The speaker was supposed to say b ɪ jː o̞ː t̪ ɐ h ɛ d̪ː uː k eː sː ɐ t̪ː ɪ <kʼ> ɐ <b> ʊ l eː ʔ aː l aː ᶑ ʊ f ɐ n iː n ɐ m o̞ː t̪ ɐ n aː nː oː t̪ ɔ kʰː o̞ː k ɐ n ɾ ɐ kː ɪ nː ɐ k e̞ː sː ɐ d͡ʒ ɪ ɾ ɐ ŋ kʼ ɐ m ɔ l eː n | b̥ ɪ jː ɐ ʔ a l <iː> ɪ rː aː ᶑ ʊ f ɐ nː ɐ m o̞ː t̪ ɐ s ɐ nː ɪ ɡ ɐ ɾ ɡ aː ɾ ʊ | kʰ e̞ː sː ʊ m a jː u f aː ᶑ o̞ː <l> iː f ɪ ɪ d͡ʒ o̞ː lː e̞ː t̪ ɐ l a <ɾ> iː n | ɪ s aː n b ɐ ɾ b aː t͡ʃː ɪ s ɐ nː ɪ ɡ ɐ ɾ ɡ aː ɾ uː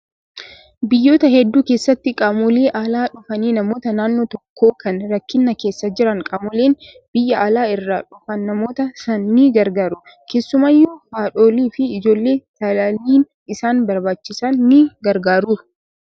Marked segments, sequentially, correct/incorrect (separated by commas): correct, incorrect, incorrect, correct, incorrect